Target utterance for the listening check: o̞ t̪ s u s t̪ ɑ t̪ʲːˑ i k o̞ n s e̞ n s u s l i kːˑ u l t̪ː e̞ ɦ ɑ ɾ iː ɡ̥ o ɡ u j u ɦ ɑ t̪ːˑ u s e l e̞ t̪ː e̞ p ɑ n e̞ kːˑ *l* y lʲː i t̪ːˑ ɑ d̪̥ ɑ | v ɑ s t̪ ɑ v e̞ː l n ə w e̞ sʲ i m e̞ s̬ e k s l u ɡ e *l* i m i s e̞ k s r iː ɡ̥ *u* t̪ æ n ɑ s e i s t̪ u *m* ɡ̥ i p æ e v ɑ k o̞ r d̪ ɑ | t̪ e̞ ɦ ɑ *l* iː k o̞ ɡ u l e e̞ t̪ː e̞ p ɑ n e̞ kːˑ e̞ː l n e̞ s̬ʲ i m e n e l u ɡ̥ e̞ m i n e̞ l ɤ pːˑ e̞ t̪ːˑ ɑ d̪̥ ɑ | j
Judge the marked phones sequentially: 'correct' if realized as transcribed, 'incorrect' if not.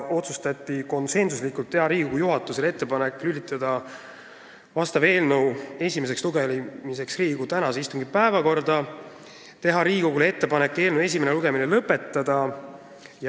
correct, correct, correct, incorrect: ŋ, incorrect: ɾ

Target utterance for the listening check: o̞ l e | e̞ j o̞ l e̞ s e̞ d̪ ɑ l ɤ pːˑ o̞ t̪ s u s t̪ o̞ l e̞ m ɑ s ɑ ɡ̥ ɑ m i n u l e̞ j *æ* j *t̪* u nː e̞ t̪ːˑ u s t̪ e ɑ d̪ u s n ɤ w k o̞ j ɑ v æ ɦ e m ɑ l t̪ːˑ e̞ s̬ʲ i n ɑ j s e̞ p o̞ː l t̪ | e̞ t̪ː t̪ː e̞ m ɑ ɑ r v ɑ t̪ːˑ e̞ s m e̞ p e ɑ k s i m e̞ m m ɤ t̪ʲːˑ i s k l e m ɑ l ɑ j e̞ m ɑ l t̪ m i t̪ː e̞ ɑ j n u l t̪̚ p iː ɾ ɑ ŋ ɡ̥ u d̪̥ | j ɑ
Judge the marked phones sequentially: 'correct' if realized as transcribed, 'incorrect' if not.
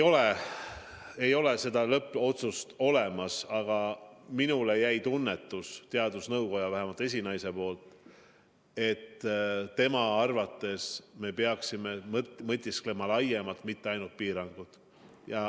correct, correct

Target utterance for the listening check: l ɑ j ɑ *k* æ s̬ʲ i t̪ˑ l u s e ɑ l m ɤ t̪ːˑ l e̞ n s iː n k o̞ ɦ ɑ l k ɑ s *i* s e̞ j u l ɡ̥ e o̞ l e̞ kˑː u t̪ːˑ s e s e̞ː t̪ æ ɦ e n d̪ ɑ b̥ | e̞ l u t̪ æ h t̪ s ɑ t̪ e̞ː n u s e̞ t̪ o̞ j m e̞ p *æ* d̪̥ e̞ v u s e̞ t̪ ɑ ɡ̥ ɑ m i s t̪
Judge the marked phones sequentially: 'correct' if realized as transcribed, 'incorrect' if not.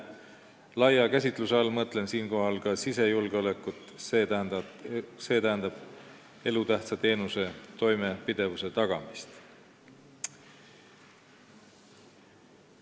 correct, correct, incorrect: i

